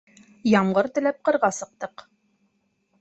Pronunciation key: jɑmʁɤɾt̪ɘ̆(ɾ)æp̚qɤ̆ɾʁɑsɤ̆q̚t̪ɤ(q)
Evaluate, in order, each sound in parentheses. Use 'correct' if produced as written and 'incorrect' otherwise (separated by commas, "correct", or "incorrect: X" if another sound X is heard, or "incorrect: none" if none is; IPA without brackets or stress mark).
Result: incorrect: l, correct